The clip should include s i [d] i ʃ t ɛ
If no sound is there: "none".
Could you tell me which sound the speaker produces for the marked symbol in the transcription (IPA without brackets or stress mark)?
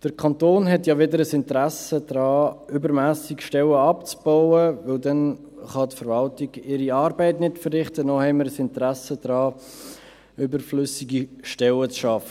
ɡ